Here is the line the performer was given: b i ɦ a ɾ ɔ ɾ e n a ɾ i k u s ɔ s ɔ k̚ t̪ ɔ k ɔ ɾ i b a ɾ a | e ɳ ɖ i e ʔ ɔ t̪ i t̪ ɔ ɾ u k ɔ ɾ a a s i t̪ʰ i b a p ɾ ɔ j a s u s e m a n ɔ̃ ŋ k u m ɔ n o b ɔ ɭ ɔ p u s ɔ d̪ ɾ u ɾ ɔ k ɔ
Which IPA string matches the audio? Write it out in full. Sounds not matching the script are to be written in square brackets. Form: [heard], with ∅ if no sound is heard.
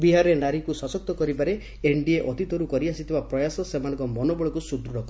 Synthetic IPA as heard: b i ɦ a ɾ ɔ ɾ e n a ɾ i k u s ɔ s ɔ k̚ t̪ ɔ k ɔ ɾ i b a ɾ [e] | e ɳ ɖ i e ʔ ɔ t̪ i t̪ ɔ ɾ u k ɔ ɾ [i] a s i t̪ʰ i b a p ɾ ɔ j a s [ɔ] s e m a n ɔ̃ ŋ k [ɔ] m ɔ n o b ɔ ɭ ɔ [k] u s [u] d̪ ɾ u ɾ ɔ k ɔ